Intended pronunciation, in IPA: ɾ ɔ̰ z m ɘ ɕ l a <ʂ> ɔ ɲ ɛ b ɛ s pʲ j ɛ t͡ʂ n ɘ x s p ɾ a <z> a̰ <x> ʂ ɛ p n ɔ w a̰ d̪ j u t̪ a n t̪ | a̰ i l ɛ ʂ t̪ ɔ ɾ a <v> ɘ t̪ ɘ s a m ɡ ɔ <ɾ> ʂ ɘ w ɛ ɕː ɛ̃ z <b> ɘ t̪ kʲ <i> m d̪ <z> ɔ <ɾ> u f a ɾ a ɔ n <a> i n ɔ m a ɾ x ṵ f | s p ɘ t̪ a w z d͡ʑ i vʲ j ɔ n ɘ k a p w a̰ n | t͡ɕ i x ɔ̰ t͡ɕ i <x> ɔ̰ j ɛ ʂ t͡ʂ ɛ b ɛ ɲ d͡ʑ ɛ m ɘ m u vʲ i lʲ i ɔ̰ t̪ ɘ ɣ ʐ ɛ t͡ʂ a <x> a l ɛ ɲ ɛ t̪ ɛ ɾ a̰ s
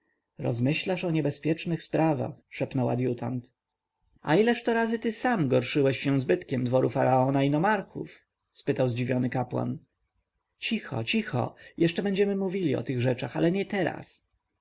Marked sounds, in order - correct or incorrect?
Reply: correct, incorrect: v, correct, incorrect: z, correct, correct, incorrect: ɛ, incorrect: v, correct, correct, correct, correct

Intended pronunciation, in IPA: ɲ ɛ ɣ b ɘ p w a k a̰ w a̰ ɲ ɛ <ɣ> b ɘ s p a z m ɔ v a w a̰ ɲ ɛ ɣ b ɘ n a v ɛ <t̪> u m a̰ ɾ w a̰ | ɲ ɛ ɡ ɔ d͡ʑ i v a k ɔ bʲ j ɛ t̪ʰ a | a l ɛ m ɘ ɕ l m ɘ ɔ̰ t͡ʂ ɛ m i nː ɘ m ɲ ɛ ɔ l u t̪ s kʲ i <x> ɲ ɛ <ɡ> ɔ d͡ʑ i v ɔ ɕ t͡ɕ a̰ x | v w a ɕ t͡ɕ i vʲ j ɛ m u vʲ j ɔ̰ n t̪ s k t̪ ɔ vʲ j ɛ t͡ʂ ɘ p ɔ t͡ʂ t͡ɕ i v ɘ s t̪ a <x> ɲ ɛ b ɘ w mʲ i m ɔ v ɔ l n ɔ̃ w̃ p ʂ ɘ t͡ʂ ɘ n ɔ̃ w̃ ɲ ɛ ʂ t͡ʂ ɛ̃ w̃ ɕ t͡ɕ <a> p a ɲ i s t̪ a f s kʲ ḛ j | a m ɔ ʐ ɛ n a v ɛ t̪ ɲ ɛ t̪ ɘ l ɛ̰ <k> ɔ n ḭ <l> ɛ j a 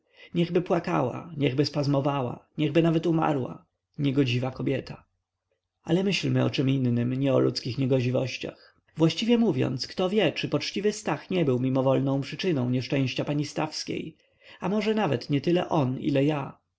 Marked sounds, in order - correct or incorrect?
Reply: correct, correct, correct, correct, correct, correct, incorrect: ʔ, correct

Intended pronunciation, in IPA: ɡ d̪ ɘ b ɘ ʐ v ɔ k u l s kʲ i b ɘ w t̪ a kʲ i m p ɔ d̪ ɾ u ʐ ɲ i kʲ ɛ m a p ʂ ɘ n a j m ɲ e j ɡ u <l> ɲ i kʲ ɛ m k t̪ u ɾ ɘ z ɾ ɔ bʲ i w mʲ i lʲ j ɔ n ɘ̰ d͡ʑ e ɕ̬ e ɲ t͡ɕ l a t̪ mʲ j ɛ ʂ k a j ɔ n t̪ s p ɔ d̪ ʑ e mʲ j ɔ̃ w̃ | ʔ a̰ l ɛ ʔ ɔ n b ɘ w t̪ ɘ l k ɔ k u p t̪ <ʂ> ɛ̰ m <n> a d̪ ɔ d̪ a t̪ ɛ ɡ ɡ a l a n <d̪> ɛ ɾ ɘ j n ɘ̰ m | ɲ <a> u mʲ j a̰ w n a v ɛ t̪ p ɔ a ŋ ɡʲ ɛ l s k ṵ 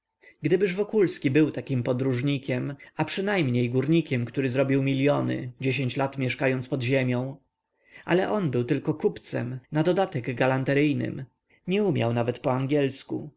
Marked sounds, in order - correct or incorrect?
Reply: incorrect: ɾ, incorrect: s, correct, incorrect: t̪, incorrect: ɛ

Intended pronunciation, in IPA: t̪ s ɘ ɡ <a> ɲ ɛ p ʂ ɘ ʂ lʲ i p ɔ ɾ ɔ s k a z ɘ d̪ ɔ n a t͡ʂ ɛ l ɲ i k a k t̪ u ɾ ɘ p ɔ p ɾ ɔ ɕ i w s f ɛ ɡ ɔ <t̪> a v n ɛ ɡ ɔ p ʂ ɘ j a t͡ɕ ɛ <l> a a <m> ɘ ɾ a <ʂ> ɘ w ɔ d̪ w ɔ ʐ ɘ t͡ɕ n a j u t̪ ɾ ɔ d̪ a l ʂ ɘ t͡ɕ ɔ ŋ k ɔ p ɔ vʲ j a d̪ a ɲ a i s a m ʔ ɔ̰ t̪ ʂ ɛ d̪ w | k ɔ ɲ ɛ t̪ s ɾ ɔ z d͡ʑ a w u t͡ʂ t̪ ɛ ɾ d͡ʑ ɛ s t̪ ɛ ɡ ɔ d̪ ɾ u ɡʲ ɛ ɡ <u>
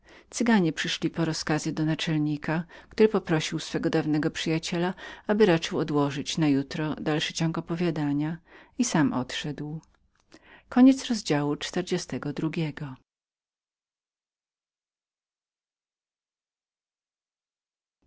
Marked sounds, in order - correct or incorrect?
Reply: correct, incorrect: d̪, correct, incorrect: b, incorrect: t͡ʂ, incorrect: ɔ

